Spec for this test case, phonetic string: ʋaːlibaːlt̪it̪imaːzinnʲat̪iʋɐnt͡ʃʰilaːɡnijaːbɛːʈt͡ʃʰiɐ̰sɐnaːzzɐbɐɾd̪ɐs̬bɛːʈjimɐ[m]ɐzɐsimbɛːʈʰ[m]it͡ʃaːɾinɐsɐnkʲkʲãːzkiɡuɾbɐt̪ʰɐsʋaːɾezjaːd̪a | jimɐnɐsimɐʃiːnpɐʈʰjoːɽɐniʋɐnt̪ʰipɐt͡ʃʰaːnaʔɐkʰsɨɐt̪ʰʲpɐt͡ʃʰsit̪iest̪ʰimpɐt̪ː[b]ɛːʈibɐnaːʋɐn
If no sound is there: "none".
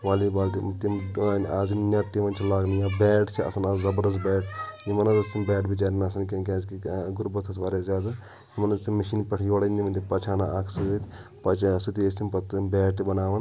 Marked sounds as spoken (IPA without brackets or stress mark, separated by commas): n, b, b